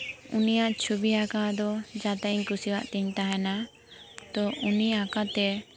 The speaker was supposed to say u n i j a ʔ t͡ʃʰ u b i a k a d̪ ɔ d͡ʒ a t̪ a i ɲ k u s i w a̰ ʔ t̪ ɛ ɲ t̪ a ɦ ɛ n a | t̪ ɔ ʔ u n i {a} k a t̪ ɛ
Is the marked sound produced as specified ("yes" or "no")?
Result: yes